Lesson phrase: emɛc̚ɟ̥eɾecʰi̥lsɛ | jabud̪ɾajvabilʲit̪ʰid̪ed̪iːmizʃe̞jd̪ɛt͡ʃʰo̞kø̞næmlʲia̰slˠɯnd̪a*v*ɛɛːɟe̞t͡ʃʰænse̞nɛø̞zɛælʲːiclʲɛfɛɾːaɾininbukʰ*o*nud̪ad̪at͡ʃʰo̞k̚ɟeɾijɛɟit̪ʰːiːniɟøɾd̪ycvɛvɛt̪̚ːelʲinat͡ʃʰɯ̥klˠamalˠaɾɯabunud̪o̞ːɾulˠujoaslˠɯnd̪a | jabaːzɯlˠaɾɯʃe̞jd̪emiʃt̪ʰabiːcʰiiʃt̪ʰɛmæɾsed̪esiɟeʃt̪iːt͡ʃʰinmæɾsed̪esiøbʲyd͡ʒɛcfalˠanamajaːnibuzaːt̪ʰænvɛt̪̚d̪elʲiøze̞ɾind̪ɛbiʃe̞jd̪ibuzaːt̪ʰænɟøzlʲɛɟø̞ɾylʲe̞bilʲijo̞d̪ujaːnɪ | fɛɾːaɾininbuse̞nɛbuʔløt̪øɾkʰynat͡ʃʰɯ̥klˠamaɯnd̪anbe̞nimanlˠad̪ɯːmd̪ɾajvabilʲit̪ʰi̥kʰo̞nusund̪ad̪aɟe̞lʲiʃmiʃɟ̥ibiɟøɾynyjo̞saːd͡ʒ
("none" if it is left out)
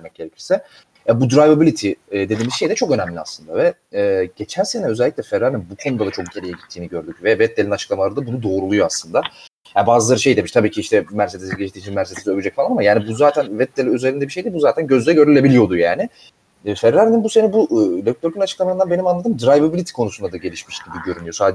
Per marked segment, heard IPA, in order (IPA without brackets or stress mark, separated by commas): v, o